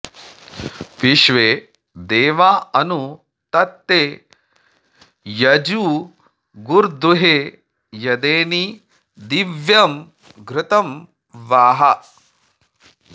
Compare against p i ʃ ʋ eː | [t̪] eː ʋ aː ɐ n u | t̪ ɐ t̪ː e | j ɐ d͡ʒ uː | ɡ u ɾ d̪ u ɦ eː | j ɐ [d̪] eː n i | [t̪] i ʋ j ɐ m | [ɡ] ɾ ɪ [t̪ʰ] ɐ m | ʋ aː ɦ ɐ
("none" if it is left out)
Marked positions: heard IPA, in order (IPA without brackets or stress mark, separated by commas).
d̪, d̪, d̪, ɡ, t̪